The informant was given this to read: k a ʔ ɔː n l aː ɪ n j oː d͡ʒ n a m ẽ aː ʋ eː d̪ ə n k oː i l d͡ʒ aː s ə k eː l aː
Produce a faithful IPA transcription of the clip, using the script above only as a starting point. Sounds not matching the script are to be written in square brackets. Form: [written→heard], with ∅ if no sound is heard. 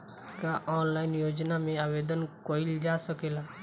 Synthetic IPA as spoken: k a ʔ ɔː n l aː ɪ n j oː d͡ʒ n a m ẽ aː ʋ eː d̪ ə n k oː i l d͡ʒ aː s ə k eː l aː